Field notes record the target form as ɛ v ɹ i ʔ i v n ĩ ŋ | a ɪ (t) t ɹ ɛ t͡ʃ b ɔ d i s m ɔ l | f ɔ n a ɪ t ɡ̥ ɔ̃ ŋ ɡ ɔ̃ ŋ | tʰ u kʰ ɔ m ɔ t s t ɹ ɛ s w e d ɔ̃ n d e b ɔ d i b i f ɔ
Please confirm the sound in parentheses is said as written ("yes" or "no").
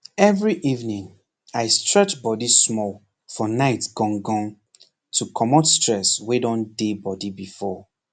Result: no